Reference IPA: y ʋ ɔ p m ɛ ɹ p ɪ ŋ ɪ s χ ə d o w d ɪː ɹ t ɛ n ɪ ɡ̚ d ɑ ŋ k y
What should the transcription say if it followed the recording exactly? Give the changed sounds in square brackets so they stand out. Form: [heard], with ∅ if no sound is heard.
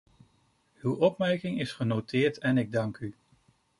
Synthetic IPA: y [w] ɔ p m ɛ ɹ [k] ɪ ŋ ɪ s χ ə [n] o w [t] ɪː ɹ t ɛ n ɪ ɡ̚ d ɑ ŋ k y